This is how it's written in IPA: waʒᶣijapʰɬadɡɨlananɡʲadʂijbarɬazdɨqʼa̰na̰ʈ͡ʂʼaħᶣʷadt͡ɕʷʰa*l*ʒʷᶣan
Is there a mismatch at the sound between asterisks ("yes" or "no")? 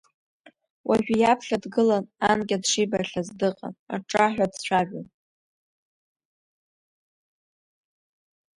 yes